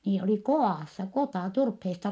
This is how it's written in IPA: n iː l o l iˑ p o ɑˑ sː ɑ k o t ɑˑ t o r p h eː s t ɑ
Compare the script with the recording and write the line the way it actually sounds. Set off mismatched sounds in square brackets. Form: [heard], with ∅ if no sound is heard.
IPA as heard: n iː l o l iˑ [k] o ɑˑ sː ɑ k o t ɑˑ t [u] r p h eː s t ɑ